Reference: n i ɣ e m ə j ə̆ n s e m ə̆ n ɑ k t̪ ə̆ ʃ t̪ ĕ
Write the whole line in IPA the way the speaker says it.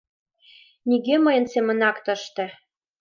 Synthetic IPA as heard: n i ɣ e m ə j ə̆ n s e m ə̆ n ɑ k t̪ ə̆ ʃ t̪ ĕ